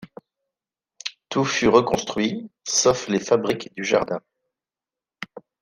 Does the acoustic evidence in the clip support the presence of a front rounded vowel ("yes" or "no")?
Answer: yes